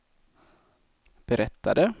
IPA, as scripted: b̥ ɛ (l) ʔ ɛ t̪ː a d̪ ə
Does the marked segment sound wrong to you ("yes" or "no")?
yes